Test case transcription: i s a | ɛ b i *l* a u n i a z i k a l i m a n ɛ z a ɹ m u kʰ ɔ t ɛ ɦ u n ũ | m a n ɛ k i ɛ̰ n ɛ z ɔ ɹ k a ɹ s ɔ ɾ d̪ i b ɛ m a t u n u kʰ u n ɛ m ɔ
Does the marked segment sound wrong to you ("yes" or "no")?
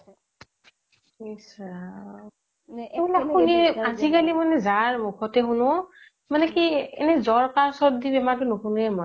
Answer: no